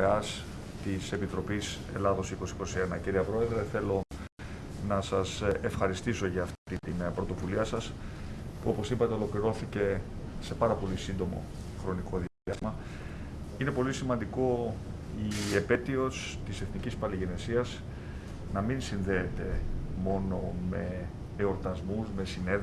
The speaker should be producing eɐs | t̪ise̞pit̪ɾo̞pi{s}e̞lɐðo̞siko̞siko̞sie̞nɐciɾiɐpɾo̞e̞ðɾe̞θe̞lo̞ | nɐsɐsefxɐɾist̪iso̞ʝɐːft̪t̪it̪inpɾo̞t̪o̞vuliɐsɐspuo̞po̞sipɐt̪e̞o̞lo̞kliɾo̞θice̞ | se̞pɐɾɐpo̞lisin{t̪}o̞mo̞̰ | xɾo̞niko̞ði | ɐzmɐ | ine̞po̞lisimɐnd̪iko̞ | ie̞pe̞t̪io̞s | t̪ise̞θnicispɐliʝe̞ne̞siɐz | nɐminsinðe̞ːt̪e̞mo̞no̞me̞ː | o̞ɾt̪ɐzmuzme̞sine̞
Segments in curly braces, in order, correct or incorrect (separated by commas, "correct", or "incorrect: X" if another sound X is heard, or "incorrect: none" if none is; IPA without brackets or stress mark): correct, incorrect: d̪